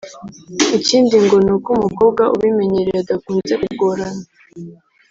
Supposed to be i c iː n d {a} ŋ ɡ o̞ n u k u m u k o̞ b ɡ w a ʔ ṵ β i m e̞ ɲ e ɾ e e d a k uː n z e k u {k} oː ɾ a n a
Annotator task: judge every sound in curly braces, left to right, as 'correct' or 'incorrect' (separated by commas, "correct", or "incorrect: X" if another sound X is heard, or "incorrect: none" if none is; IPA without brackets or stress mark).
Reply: incorrect: i, incorrect: ɡ